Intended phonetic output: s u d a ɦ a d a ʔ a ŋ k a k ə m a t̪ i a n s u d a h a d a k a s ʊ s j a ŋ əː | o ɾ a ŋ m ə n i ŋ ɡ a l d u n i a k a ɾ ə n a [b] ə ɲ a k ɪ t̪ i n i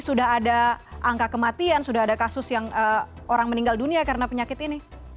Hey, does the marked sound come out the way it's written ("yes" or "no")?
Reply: no